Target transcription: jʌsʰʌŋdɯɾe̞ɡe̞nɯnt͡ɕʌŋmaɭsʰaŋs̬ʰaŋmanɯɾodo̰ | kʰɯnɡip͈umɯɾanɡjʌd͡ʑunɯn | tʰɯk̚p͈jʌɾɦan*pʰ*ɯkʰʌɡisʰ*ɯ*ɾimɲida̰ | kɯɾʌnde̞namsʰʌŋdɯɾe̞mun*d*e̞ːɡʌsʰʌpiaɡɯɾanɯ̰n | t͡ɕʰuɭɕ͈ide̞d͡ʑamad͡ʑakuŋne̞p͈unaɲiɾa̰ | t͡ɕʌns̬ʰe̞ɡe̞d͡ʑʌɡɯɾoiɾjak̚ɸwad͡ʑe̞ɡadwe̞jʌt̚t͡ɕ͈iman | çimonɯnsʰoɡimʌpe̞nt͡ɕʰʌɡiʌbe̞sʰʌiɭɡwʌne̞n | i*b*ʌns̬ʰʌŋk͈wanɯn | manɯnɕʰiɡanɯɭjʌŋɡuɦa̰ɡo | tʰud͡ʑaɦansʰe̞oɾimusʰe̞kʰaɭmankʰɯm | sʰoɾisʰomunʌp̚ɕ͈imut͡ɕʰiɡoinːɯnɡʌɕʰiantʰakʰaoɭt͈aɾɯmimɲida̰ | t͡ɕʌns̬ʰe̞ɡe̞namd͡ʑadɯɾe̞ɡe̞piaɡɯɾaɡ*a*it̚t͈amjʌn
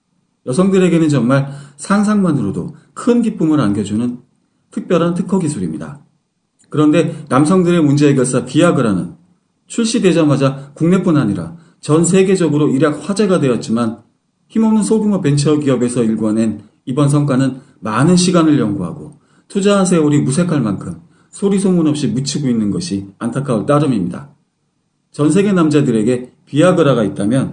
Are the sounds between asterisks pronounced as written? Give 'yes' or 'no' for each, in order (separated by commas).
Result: no, no, no, yes, yes